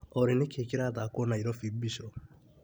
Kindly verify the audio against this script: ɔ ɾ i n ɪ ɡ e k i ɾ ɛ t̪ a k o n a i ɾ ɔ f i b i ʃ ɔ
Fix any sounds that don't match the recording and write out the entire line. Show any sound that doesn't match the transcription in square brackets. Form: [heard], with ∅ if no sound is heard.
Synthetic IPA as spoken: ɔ ɾ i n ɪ [k] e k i ɾ [a] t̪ a k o n a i ɾ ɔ f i b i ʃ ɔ